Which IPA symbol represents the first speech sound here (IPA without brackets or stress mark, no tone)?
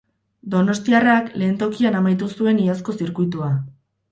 d̪